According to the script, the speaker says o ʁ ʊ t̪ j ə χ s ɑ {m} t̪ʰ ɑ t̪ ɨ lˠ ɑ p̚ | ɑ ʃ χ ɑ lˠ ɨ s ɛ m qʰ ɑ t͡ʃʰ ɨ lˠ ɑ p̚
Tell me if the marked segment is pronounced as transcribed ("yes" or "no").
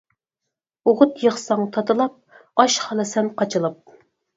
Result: no